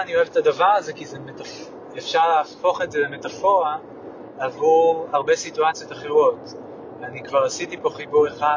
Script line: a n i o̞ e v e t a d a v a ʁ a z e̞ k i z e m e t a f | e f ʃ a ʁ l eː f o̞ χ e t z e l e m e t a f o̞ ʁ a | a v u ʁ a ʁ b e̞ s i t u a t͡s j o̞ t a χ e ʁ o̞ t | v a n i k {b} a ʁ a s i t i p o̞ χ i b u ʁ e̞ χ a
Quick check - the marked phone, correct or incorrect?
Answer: incorrect